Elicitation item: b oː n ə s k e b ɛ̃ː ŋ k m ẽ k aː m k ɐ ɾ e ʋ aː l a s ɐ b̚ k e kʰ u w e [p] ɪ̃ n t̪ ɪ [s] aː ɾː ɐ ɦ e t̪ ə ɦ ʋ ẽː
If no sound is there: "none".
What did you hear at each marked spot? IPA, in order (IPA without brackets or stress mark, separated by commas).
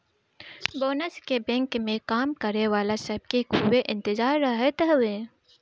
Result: ʔ, z